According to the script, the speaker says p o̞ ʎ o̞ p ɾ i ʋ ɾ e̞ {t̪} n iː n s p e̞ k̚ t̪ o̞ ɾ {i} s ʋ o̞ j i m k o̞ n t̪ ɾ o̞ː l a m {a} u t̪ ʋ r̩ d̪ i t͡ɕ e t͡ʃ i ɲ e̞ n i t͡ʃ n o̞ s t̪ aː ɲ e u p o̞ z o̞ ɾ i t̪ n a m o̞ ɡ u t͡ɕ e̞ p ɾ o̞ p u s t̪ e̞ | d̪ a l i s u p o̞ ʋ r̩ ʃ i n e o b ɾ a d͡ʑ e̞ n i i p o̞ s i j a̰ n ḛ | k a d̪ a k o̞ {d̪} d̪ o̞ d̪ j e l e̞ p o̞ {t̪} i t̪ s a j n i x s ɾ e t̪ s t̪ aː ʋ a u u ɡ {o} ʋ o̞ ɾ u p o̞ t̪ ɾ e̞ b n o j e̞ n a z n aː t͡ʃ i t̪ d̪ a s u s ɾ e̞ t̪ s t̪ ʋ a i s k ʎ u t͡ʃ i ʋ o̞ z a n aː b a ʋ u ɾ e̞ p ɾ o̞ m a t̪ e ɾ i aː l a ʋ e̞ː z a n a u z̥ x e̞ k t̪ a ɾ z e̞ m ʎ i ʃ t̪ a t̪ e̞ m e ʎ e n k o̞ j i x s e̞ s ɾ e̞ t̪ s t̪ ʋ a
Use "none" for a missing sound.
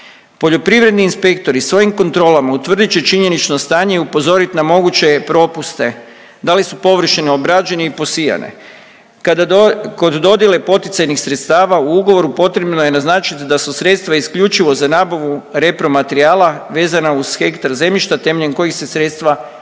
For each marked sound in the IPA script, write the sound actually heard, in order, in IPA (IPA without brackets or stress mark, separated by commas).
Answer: d̪, i, a, d̪, t̪, o